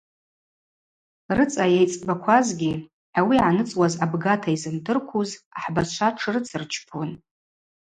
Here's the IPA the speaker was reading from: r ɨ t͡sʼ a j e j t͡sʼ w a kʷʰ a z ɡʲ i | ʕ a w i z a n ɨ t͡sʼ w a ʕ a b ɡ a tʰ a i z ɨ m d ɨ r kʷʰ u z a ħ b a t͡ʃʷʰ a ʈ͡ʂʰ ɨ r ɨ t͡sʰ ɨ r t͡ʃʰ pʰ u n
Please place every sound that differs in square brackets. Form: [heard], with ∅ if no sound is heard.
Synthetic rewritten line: r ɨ t͡sʼ a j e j t͡sʼ [b] a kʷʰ a z ɡʲ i | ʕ a w i [ʕ] a n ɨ t͡sʼ w a [z] a b ɡ a tʰ a i z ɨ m d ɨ r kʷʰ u z a ħ b a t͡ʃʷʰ a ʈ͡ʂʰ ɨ r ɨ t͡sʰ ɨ r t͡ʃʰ pʰ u n